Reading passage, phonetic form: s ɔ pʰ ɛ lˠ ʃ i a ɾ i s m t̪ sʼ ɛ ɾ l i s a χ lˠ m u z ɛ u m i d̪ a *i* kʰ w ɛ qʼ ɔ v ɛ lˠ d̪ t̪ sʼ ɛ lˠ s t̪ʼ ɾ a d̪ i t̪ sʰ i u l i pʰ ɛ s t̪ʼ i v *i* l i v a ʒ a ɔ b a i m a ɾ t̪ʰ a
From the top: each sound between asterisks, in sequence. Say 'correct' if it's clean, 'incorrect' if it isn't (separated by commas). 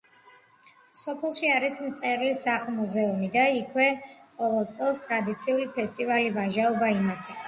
correct, incorrect